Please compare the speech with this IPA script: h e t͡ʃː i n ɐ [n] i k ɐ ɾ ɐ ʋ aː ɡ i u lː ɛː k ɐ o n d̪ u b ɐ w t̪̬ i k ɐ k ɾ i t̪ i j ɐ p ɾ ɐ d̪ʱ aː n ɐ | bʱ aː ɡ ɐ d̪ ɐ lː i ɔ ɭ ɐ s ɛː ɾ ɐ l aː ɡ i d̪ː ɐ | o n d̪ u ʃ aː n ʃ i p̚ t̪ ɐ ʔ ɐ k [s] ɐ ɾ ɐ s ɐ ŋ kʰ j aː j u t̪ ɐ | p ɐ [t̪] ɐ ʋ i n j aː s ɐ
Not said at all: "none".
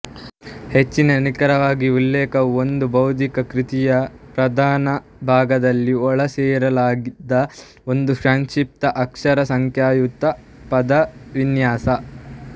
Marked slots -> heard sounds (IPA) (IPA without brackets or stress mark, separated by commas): n, ʂ, d̪